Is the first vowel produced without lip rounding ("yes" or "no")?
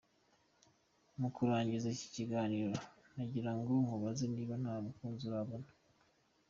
no